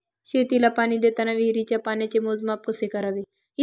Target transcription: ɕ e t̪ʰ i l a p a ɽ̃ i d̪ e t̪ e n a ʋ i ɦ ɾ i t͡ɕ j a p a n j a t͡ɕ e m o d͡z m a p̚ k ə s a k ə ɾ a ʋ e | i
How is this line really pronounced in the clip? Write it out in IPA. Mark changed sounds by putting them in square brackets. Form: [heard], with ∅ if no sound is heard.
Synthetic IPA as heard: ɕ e [t̪] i l a p a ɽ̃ i d̪ e t̪ [a] n a ʋ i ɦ ɾ i t͡ɕ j a p a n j a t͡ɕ e m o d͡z m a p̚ k ə s [e] k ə ɾ a ʋ e | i